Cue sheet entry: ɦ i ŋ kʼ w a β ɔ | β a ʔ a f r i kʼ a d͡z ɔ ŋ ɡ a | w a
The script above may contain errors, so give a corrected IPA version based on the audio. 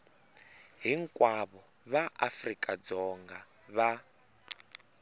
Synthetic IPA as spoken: ɦ i ŋ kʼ w a β ɔ | β a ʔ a f r i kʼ a d͡z ɔ ŋ ɡ a | β a